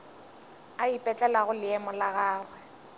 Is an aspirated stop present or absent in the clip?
absent